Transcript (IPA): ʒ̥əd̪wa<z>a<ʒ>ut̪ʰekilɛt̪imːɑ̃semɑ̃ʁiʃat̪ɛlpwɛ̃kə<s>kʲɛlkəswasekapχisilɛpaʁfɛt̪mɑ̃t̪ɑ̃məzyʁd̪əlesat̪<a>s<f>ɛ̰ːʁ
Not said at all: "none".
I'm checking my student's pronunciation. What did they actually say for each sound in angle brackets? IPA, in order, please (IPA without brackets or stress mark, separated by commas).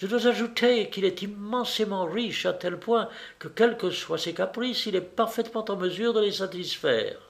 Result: z, ʒ, none, i, f